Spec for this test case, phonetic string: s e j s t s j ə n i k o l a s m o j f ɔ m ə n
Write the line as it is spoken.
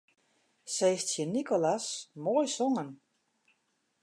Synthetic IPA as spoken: s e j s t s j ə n i k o l a s m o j s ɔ ŋ ə n